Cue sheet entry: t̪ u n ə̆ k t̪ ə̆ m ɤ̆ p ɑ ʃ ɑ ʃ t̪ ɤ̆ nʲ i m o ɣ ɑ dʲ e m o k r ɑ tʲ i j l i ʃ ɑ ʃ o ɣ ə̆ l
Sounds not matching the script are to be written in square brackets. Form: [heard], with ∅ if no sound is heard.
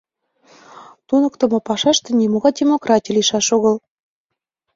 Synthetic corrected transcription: t̪ u n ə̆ k t̪ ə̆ m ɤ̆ p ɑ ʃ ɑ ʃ t̪ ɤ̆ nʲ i m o ɣ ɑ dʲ e m o k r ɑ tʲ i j l i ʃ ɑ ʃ o ɣ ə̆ l